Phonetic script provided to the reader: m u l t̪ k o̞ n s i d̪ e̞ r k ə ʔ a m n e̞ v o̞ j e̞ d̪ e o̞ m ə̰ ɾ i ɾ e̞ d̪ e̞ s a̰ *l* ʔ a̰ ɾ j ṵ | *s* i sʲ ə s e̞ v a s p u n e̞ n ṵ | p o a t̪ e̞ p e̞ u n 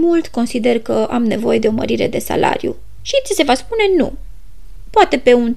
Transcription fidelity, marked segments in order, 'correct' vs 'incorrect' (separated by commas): correct, incorrect